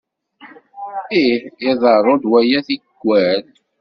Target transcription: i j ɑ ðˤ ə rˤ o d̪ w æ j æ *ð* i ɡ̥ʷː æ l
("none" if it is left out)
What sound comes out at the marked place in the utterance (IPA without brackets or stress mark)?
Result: θ